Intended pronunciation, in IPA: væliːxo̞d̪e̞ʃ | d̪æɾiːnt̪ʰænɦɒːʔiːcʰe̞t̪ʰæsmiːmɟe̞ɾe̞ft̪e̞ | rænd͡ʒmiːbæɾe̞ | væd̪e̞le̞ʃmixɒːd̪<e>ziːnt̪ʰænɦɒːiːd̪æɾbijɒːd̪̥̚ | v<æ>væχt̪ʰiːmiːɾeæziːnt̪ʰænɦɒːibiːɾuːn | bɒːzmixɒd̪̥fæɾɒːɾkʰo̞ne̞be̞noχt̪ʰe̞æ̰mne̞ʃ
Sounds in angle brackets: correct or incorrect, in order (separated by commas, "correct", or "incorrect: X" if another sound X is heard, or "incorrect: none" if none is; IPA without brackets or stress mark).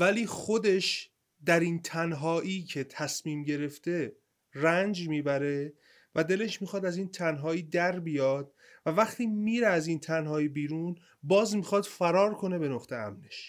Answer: incorrect: æ, correct